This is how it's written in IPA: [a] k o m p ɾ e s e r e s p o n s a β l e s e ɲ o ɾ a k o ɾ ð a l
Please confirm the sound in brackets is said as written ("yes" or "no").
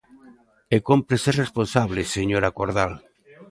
no